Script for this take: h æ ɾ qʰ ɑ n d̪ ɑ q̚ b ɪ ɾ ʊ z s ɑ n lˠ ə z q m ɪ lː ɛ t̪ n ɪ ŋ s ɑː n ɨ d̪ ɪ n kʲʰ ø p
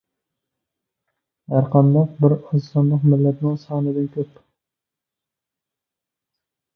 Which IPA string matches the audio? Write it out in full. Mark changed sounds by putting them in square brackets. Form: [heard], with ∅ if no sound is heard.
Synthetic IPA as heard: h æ ɾ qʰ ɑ n d̪ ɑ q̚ b ɪ ɾ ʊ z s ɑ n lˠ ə [∅] q m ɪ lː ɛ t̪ n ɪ ŋ s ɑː n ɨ d̪ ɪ n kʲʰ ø p